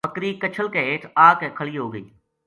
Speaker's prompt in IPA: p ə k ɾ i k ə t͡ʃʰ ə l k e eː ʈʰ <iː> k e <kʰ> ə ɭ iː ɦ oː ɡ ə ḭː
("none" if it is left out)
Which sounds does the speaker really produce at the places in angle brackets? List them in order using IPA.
aː, kʰ

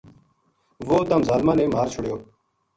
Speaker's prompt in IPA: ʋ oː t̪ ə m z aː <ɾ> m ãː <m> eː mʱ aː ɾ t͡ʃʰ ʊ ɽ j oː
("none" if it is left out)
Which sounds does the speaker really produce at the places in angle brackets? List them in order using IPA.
l, n

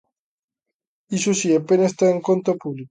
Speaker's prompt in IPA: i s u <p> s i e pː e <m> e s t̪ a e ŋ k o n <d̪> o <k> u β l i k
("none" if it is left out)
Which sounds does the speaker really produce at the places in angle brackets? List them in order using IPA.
none, n, t̪, p

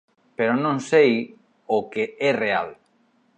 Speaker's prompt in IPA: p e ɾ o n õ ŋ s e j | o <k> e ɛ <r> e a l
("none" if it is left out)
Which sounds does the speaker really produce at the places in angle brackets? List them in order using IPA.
k, r

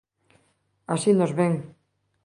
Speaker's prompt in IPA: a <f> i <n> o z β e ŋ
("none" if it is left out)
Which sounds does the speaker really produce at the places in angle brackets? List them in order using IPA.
s, n

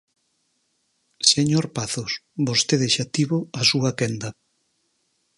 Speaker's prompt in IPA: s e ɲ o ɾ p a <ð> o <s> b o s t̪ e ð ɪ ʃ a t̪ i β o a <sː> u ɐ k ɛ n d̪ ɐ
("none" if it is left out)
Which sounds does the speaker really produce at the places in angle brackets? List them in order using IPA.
θ, s, s

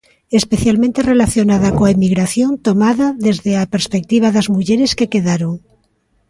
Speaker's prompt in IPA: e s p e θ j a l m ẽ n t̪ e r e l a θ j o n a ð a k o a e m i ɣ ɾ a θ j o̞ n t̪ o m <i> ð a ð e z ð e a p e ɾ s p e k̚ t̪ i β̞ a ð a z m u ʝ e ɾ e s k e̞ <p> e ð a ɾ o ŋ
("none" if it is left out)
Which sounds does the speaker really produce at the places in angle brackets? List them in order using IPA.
a, k

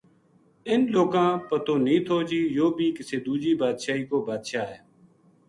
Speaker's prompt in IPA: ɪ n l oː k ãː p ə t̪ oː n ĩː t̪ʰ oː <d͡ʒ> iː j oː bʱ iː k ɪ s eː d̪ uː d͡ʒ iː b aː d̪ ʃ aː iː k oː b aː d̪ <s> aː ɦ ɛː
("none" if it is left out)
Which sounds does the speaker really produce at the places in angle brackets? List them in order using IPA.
d͡ʒ, ʃ

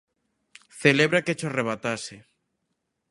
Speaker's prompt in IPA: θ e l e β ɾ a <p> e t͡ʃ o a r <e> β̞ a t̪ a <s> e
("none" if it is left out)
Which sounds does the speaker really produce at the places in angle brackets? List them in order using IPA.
k, e, s

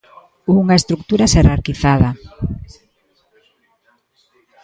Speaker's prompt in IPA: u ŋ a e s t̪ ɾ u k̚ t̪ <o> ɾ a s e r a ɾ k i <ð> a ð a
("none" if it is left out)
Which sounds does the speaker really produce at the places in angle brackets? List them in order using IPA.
u, θ

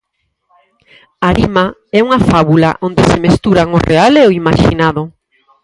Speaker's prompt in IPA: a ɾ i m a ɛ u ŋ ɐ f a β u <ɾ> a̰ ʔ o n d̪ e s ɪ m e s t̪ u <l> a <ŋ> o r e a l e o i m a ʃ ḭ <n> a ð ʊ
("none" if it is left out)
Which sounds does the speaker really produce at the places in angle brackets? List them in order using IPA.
l, ɾ, ŋ, n

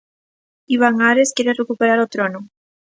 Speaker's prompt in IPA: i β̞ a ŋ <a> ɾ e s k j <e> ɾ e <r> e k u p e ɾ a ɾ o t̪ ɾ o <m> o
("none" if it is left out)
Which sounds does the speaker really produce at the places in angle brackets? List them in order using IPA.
a, e, r, n

